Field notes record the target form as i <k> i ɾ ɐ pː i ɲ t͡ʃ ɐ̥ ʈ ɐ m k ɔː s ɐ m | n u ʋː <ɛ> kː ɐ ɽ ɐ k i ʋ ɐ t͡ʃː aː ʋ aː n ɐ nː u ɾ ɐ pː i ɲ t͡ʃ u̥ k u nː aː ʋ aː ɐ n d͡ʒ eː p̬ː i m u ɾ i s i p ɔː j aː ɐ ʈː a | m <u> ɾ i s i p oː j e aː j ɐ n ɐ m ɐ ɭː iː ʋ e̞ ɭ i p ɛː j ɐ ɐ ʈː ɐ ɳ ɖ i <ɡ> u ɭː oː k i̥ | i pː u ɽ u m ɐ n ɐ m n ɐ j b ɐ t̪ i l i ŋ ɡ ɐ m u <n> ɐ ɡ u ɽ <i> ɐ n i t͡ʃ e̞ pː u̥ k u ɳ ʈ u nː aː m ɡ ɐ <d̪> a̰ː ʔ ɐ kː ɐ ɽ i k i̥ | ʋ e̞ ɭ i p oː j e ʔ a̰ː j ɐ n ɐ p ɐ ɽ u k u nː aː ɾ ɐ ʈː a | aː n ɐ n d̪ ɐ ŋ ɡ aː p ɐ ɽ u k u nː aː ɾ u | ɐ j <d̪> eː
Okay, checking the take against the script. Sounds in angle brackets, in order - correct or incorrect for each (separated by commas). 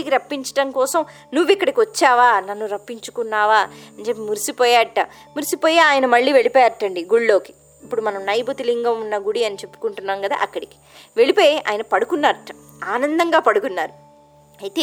correct, incorrect, correct, correct, incorrect, correct, correct, incorrect